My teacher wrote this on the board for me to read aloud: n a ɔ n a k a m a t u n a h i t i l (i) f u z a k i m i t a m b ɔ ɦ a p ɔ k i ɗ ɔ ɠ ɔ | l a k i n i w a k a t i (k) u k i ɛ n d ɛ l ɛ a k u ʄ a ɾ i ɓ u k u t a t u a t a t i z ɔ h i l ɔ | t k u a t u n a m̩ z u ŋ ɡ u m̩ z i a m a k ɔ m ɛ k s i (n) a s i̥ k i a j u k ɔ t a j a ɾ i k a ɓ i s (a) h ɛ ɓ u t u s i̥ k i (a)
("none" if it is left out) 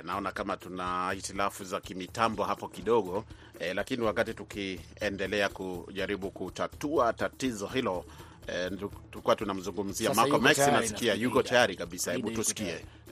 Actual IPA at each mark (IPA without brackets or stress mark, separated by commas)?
a, t, n, a, ɛ